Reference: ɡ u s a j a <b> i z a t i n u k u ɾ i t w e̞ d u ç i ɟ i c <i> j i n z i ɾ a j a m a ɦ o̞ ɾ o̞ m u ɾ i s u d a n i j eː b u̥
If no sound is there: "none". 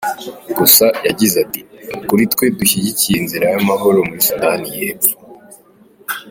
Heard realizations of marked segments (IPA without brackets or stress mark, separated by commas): ɟ, i